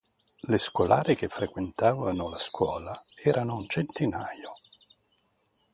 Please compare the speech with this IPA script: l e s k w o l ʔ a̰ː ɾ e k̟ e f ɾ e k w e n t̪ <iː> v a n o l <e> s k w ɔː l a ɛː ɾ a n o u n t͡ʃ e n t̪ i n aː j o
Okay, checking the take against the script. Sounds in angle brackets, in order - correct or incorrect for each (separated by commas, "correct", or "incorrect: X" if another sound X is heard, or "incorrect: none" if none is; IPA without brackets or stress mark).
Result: incorrect: aː, incorrect: a